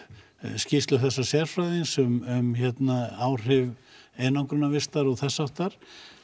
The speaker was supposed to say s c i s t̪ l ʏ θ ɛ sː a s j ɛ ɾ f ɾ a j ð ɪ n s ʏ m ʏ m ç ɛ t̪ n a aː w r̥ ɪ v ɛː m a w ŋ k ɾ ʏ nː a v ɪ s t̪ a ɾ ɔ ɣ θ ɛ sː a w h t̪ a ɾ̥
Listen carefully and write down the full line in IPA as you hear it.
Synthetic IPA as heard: s c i s t̪ l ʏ θ ɛ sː a s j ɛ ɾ f ɾ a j ð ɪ n s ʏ m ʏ m ç ɛ t̪ n a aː w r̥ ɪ v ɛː n a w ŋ k ɾ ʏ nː a v ɪ s t̪ a ɾ ɔ ɣ θ ɛ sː a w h t̪ a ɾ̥